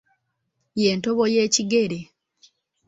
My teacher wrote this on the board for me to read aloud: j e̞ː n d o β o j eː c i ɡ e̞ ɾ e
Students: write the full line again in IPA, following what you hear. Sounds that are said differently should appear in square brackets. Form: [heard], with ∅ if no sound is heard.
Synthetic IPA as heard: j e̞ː n [t] o β o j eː c i ɡ e̞ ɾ e